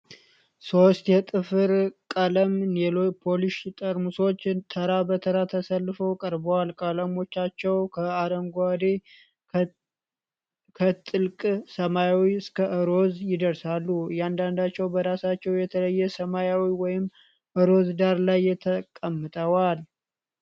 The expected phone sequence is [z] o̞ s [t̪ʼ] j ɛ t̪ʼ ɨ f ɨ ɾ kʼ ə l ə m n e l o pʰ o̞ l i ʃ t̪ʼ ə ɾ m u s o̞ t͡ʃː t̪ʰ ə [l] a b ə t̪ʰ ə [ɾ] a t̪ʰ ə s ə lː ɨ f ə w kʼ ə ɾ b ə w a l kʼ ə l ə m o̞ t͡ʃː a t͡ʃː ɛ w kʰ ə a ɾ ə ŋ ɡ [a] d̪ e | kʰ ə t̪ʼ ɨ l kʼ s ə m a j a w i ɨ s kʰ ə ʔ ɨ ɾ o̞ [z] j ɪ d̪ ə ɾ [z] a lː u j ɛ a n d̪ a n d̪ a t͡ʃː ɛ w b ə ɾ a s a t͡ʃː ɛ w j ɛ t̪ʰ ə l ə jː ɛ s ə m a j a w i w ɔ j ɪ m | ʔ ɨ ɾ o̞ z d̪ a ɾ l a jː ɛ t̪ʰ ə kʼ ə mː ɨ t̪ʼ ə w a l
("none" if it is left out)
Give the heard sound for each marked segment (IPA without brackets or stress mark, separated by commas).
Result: s, t̪, ɾ, ɾ, a, z, s